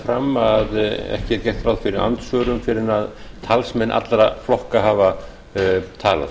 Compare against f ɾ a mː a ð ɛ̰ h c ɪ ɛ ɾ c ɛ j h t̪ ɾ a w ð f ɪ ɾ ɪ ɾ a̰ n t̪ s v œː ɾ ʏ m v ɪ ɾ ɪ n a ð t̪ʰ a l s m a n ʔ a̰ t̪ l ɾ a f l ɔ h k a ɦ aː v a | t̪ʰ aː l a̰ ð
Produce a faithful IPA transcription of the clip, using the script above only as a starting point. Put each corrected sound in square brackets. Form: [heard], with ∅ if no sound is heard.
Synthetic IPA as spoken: f ɾ a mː a ð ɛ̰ h c ɪ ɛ ɾ c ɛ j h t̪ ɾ a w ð f ɪ ɾ ɪ ɾ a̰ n t̪ s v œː ɾ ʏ m [f] ɪ ɾ ɪ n a ð t̪ʰ a l s m [ɛ] n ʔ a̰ t̪ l ɾ a f l ɔ h k a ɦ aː v a | t̪ʰ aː l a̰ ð